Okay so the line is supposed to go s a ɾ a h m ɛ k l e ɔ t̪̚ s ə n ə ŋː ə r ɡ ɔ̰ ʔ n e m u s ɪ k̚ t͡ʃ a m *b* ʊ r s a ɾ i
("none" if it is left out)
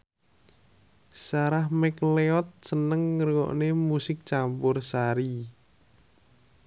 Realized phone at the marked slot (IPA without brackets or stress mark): p